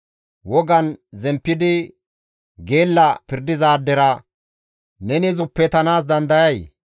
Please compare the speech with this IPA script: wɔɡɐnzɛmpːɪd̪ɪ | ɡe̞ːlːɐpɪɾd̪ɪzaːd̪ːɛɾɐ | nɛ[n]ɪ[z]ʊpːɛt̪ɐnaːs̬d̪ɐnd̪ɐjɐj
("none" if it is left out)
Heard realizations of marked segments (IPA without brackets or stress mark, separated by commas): n, z